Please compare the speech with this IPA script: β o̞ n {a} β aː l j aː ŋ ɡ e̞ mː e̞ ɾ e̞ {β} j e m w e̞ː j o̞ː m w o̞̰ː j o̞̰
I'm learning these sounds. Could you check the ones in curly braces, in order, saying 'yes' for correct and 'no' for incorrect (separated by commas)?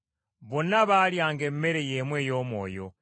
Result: yes, no